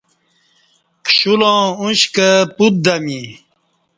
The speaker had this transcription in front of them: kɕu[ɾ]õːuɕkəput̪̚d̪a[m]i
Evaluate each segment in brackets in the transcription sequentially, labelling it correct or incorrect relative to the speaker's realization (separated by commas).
incorrect, correct